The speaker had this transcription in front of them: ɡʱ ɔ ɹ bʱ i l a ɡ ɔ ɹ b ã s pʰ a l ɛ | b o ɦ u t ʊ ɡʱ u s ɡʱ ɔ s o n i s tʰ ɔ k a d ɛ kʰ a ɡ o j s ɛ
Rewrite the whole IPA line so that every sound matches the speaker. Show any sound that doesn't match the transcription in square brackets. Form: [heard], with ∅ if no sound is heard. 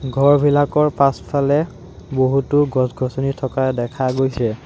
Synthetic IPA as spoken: ɡʱ ɔ ɹ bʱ i l a [k] ɔ ɹ [p] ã s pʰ a l ɛ | b o ɦ u t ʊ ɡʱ [ɔ] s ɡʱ ɔ s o n i [∅] tʰ ɔ k a d ɛ kʰ a ɡ o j s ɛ